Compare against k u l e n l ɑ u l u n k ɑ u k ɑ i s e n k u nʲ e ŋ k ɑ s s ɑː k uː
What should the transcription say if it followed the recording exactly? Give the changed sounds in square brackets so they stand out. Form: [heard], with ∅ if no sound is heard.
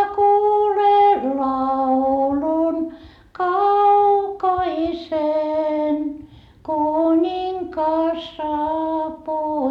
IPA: k [uː] l e n l ɑ u l u n k ɑ u k ɑ i s e n k u nʲ [i] ŋ k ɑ s s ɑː [p] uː